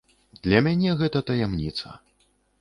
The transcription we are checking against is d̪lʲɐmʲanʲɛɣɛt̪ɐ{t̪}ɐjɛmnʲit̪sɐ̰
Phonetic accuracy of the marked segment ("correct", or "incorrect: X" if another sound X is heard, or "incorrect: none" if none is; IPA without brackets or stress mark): correct